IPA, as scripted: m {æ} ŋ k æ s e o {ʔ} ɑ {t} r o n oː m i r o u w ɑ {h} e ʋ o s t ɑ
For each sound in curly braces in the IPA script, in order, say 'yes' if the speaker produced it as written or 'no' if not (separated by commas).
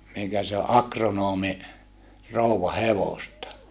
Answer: no, yes, no, yes